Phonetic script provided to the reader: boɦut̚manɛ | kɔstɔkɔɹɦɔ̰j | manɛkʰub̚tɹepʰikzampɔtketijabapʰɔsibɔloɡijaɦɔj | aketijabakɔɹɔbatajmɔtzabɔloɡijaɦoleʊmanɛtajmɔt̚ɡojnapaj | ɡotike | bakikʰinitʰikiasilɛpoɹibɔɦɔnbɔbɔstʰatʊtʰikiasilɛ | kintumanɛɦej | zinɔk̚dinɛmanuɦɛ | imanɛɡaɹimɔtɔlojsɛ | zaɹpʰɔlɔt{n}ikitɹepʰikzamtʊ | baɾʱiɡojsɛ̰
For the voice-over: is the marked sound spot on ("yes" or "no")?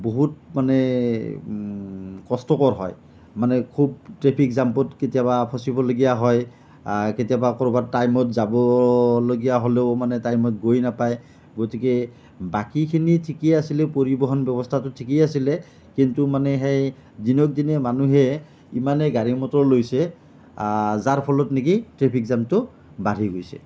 yes